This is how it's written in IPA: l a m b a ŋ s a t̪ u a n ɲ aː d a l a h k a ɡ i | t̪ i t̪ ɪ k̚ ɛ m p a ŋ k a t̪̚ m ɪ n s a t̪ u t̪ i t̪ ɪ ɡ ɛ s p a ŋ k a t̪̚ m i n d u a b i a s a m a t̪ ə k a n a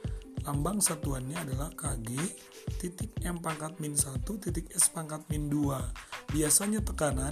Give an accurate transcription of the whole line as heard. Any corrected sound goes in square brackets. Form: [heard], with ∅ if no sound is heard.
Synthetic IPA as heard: l a m b a ŋ s a t̪ u a n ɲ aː d a l a h k a ɡ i | t̪ i t̪ ɪ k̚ ɛ m p a ŋ k a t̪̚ m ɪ n s a t̪ u t̪ i t̪ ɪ [k] ɛ s p a ŋ k a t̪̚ m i n d u a b i a s a [ɲ] a t̪ ə k a n a